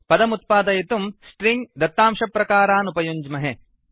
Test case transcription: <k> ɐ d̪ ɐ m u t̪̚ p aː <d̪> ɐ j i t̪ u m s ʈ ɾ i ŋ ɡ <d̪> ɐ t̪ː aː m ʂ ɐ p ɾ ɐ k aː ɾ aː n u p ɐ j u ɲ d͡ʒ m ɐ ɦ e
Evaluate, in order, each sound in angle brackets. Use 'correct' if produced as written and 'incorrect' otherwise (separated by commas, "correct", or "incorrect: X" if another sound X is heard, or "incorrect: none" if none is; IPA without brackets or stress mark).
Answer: incorrect: p, correct, correct